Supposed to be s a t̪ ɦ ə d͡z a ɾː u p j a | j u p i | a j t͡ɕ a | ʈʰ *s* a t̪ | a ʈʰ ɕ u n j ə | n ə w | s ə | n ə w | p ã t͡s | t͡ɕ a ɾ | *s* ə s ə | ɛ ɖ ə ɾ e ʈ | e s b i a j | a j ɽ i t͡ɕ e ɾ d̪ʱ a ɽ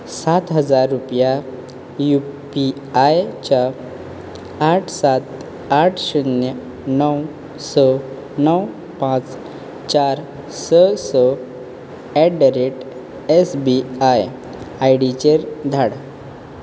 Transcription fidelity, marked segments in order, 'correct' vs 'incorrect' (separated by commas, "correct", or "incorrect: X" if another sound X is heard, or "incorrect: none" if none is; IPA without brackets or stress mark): correct, correct